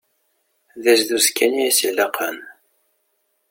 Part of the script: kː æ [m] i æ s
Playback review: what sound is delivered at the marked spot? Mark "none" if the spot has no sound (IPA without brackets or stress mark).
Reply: n